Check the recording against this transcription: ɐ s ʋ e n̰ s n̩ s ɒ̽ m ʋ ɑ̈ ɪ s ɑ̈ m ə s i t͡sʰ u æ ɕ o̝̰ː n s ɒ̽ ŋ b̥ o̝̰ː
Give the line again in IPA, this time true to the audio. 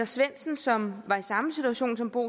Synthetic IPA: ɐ s ʋ e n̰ s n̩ s ɒ̽ m ʋ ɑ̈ i s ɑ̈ m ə s i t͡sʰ u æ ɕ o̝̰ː n s ɒ̽ m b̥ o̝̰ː

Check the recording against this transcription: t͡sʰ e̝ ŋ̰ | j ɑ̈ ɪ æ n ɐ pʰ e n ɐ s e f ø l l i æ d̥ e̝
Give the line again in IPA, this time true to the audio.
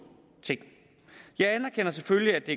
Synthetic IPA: t͡sʰ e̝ ŋ̰ | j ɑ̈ ɪ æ n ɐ kʰ e n ɐ s e f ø l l i æ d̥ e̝

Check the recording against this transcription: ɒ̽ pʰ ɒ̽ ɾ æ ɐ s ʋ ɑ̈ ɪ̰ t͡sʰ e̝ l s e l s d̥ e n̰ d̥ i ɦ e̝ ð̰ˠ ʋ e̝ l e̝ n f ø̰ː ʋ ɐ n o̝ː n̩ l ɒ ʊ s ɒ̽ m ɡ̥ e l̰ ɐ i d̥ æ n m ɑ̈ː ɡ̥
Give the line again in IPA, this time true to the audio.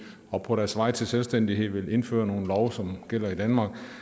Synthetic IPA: ɒ̽ pʰ ɒ̽ ɾ æ ɐ s ʋ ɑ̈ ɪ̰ t͡sʰ e̝ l s e l s d̥ e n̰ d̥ i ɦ e̝ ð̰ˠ ʋ e̝ l e̝ n f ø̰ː ɐ n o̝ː n̩ l ɒ ʊ s ɒ̽ m ɡ̥ e l̰ ɐ i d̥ æ n m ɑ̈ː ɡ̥

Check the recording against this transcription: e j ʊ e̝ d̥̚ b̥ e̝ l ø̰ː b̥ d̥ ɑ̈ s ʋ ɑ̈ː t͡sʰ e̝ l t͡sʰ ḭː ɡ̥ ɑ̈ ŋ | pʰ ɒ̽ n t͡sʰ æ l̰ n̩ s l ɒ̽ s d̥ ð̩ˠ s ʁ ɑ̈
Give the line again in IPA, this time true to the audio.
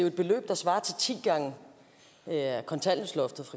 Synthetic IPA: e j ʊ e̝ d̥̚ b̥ e̝ l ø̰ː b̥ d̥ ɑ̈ s ʋ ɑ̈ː t͡sʰ e̝ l t͡sʰ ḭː ɡ̥ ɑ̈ ŋ | kʰ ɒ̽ n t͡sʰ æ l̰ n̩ s l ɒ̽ f d̥ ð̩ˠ f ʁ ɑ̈

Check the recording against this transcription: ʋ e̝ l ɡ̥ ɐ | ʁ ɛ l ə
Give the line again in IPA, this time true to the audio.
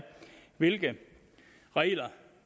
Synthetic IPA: ʋ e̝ l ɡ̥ ə | ʁ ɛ l ɐ

